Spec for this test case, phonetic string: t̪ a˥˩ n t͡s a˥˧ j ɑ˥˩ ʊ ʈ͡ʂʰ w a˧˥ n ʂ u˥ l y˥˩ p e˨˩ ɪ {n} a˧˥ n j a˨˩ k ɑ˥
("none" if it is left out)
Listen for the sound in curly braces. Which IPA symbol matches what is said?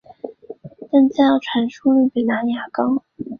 n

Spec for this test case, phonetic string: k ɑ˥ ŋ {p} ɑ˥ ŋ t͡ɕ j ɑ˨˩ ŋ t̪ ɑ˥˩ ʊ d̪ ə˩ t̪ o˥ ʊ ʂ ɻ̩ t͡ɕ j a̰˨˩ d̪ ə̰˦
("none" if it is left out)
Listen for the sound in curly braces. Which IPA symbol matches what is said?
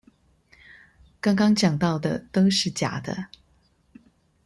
k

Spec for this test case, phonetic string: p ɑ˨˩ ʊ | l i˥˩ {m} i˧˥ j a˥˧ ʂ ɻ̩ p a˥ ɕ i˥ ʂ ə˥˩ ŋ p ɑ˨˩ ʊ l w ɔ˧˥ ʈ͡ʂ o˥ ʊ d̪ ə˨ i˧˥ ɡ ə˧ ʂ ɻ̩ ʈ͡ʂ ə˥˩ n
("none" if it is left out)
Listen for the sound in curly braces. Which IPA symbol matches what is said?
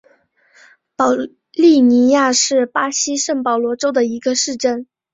n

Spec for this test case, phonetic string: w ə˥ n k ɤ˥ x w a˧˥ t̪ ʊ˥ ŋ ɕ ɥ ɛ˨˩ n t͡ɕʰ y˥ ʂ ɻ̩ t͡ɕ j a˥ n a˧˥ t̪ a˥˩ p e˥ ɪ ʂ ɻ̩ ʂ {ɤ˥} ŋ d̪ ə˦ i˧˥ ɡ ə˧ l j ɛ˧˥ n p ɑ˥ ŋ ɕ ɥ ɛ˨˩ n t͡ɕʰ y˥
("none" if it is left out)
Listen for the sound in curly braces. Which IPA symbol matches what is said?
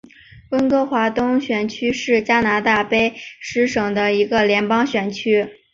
ɤ˨˩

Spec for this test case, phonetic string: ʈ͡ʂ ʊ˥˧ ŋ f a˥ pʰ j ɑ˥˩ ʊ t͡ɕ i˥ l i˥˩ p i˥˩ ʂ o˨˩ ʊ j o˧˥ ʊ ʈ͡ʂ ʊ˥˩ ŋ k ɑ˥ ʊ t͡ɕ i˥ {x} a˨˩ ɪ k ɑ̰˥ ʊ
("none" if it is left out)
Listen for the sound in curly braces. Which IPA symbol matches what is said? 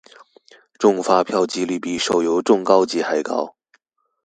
x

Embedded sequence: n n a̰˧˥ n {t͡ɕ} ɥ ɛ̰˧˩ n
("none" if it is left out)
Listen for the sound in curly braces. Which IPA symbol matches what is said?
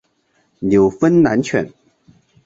t͡ɕʰ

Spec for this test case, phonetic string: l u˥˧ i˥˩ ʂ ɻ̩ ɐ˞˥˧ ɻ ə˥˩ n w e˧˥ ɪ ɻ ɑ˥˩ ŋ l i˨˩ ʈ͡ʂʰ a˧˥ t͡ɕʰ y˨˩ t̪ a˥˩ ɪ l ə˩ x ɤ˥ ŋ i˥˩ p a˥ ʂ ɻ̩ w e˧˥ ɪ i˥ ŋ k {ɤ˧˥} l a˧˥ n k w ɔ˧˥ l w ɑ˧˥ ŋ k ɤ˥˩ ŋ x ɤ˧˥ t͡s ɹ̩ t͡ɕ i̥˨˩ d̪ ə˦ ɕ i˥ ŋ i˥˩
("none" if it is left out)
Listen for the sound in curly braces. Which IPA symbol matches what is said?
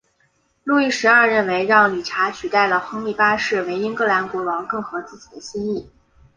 ɤ˥˩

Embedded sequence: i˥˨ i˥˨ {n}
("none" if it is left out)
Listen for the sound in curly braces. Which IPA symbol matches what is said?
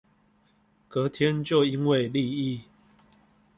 none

